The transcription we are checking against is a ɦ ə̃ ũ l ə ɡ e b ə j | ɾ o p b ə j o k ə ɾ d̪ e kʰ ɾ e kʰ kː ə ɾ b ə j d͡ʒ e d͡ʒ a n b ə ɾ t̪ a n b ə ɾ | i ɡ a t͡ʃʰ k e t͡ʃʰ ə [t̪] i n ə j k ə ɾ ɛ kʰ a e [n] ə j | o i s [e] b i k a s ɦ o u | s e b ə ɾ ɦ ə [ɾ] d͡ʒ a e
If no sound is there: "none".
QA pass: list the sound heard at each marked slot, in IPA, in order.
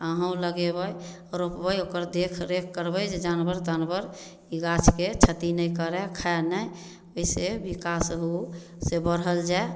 t̪, n, e, l

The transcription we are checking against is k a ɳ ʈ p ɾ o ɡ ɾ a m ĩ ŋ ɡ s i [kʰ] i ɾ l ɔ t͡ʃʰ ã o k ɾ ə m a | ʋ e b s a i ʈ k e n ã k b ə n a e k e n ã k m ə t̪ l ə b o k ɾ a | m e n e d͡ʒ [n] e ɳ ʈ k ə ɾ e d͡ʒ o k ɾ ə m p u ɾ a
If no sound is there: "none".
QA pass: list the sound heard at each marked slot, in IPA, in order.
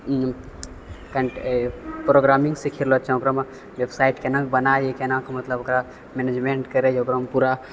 kʰ, m

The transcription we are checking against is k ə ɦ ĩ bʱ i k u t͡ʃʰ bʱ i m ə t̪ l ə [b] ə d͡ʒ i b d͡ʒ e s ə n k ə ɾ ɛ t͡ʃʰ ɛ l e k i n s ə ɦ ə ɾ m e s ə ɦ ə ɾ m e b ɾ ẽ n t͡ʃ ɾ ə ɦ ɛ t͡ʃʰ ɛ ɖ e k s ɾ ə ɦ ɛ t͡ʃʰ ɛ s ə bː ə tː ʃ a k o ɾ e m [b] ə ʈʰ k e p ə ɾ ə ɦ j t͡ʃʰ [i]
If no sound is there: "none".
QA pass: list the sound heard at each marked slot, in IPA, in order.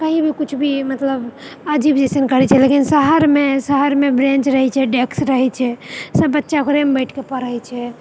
b, b, ɛ

